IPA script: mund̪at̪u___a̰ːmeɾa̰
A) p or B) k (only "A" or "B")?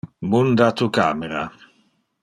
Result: B